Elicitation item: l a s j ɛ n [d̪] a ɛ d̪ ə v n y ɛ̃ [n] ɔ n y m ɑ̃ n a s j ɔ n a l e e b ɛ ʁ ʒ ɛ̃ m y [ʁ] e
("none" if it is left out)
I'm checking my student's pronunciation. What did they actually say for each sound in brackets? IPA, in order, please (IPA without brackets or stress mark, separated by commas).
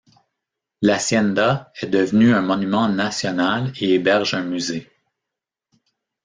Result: d̪, m, z